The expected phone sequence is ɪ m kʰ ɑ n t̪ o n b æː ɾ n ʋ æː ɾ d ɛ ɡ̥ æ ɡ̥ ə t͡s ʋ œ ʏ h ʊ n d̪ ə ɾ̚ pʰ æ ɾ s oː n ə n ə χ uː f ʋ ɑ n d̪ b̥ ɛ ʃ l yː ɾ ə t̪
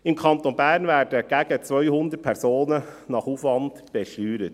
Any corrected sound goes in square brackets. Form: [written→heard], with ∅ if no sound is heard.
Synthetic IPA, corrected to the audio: ɪ m kʰ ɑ n t̪ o n b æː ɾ n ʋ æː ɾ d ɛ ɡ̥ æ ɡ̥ ə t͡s ʋ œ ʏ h ʊ n d̪ ə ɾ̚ pʰ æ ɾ s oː n ə n [ə→ɑ] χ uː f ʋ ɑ n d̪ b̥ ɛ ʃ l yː ɾ ə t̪